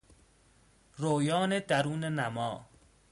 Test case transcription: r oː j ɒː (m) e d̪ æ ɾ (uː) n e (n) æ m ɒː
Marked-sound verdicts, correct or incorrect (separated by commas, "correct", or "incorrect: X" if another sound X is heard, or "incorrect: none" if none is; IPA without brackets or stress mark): incorrect: n, correct, correct